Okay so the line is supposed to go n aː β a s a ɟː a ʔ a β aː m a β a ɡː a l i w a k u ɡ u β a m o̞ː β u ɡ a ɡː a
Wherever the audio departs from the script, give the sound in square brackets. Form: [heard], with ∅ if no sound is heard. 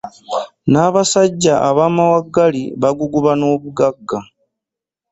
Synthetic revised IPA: n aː β a s a ɟː a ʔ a β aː m a [w] a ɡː a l i [β] a [ɡ] u ɡ u β a [n] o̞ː β u ɡ a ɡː a